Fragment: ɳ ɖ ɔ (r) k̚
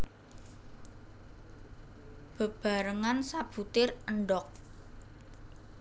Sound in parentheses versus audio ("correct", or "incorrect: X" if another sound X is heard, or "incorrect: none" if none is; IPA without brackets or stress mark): incorrect: none